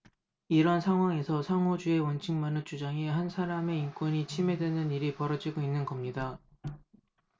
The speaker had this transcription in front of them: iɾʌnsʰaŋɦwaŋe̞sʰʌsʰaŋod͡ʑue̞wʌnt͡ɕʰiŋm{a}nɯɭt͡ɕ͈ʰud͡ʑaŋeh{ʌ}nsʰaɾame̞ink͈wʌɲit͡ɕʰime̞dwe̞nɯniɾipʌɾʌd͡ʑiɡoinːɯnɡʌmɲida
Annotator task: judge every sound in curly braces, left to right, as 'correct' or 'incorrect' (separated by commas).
correct, incorrect